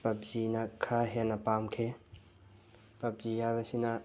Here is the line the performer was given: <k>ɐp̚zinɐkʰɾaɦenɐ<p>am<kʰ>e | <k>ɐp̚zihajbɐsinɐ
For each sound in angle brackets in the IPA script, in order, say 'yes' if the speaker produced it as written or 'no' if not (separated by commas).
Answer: no, yes, yes, no